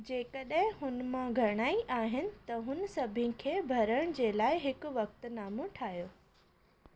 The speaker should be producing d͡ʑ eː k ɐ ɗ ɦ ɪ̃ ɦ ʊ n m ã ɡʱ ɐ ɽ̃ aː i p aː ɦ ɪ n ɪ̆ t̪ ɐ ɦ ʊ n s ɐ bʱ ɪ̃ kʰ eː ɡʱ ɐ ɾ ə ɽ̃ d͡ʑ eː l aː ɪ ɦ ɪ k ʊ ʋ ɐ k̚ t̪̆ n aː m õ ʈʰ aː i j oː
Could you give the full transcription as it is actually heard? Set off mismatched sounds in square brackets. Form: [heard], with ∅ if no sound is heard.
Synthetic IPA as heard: d͡ʑ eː k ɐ ɗ ɦ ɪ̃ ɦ ʊ n m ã ɡʱ ɐ ɽ̃ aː i [ʔ] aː ɦ ɪ n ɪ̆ t̪ ɐ ɦ ʊ n s ɐ bʱ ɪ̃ kʰ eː [bʱ] ɐ ɾ ə ɽ̃ d͡ʑ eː l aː ɪ ɦ ɪ k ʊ ʋ ɐ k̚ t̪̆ n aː m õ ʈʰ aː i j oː